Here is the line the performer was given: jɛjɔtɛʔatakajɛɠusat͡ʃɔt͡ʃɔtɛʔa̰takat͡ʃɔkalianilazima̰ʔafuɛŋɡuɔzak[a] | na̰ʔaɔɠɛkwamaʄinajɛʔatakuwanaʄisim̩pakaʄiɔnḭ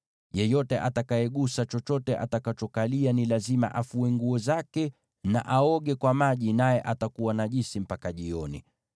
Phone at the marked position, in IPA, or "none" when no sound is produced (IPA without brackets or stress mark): ɛ